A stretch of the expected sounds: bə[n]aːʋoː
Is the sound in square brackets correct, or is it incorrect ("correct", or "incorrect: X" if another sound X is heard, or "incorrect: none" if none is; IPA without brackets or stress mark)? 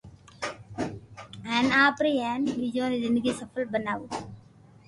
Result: correct